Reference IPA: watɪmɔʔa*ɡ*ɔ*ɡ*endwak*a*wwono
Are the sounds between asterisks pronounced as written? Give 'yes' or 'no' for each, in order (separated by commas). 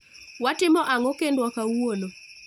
no, no, yes